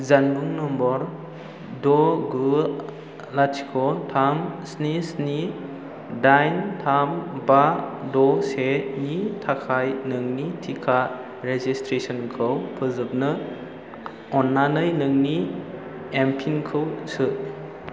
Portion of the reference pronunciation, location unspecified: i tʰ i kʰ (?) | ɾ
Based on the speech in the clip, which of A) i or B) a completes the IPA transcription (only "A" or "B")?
B